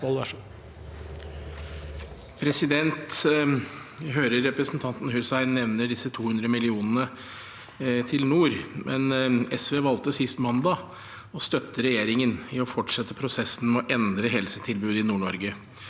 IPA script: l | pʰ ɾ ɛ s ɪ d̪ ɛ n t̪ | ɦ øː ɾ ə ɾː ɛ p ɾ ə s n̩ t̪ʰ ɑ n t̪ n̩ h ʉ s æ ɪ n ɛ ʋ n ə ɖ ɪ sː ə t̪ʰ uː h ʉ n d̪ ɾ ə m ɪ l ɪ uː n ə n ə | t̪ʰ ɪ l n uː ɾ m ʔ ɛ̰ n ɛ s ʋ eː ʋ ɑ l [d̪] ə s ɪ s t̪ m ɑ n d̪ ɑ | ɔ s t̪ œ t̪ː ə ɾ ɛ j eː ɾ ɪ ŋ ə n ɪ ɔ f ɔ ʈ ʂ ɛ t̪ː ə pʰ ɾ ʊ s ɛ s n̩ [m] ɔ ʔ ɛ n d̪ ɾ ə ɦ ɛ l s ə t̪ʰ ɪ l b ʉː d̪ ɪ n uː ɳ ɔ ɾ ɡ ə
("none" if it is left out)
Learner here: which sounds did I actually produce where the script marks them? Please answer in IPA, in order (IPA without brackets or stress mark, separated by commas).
t̪, m